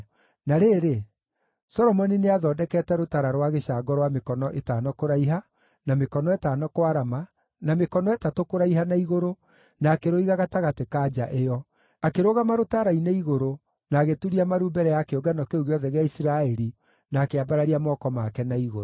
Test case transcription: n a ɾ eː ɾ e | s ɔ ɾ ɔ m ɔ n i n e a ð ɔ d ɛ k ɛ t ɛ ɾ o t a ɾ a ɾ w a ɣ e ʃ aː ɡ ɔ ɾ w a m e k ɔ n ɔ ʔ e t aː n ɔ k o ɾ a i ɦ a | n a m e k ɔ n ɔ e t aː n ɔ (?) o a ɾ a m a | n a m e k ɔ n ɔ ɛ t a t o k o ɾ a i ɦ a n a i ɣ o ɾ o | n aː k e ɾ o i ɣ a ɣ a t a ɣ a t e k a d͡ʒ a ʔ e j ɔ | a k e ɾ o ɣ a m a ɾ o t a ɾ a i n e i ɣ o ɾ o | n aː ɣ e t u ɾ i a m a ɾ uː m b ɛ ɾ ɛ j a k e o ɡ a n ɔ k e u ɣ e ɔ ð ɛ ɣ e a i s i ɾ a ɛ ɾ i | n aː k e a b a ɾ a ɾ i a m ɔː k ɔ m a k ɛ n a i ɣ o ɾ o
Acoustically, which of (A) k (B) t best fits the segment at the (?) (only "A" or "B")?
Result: A